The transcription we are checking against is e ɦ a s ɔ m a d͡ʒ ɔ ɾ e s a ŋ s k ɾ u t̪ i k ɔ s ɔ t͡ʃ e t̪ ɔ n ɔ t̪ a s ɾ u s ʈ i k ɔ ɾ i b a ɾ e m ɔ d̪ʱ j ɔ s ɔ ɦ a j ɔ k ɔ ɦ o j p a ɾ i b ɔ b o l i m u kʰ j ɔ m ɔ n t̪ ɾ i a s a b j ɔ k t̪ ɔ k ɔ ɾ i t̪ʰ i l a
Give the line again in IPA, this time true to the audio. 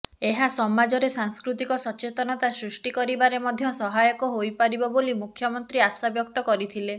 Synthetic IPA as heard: e ɦ a s ɔ m a d͡ʒ ɔ ɾ e s a ŋ s k ɾ u t̪ i k ɔ s ɔ t͡ʃ e t̪ ɔ n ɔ t̪ a s ɾ u s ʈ i k ɔ ɾ i b a ɾ e m ɔ d̪ʱ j ɔ s ɔ ɦ a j ɔ k ɔ ɦ o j p a ɾ i b ɔ b o l i m u kʰ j ɔ m ɔ n t̪ ɾ i a s a b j ɔ k t̪ ɔ k ɔ ɾ i t̪ʰ i l e